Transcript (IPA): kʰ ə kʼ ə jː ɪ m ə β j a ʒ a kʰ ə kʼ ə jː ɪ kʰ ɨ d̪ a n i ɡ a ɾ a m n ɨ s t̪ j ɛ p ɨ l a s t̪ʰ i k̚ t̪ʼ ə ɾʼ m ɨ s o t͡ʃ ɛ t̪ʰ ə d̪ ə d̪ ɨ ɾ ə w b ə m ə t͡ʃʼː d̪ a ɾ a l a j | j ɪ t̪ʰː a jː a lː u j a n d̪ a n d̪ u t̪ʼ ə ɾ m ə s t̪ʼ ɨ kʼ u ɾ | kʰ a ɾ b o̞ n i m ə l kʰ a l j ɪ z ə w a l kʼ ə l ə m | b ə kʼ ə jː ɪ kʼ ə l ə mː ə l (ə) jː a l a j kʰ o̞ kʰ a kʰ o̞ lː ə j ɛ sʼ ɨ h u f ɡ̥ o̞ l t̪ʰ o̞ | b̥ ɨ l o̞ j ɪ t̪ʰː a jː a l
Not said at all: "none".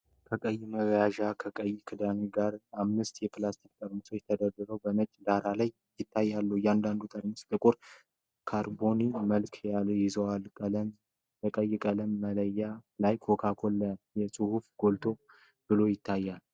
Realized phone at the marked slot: ə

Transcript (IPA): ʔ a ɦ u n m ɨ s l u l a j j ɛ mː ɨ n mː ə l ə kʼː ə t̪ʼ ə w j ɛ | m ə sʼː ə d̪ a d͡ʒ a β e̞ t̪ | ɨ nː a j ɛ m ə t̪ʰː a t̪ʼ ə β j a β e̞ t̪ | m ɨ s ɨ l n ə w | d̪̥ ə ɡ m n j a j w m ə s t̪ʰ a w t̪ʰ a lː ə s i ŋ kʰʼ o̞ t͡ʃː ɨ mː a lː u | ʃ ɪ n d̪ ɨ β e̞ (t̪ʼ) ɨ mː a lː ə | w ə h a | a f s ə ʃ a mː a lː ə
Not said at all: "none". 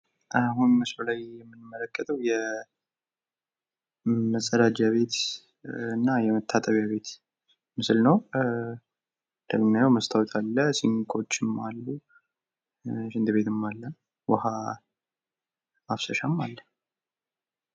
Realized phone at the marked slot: t̪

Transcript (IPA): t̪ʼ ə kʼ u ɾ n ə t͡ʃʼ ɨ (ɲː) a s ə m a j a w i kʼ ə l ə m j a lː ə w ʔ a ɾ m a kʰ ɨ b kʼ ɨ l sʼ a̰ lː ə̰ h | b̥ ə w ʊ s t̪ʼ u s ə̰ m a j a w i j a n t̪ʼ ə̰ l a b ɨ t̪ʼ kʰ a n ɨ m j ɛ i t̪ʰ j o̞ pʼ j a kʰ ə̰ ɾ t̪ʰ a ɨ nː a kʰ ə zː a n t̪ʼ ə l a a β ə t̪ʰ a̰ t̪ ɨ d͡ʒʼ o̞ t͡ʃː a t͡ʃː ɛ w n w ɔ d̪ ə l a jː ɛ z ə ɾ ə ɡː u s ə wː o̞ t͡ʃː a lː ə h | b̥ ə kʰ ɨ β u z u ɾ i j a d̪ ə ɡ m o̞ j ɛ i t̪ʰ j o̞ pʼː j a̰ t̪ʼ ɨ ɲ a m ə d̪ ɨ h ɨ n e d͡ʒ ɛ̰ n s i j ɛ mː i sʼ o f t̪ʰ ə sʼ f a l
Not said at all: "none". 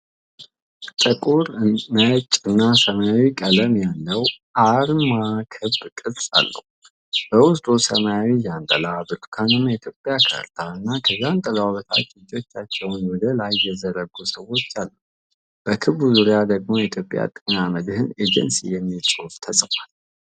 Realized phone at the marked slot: nː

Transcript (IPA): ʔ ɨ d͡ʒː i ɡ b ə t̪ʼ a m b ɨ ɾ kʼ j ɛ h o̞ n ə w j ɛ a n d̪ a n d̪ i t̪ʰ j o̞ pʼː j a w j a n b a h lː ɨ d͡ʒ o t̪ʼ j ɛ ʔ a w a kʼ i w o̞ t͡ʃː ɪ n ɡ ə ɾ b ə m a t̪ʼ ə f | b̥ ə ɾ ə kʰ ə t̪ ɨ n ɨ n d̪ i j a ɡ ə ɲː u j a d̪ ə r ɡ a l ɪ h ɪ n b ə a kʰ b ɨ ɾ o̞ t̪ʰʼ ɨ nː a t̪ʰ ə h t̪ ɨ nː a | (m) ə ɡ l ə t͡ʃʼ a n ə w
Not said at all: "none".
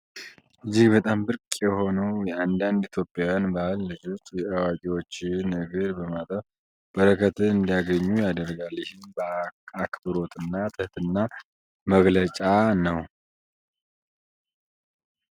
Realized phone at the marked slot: m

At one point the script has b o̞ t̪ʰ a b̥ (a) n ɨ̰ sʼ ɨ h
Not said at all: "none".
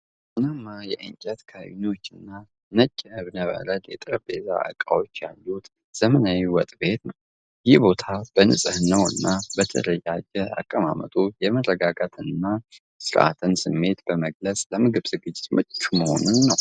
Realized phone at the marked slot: ə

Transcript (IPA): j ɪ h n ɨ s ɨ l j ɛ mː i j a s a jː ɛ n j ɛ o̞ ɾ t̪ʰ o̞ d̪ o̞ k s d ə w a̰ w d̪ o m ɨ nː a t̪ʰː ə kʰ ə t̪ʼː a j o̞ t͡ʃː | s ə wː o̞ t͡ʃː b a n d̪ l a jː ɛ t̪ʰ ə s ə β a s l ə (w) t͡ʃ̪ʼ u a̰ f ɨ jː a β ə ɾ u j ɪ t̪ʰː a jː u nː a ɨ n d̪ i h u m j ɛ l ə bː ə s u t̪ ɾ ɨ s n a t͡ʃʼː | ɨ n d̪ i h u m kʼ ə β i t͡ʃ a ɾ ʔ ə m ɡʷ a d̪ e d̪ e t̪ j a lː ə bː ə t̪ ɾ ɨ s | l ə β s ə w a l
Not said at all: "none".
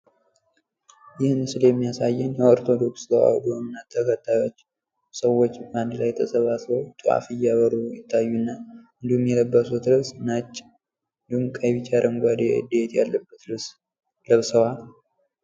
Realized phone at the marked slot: w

